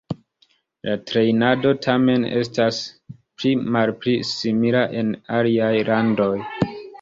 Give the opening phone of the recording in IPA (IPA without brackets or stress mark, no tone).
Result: l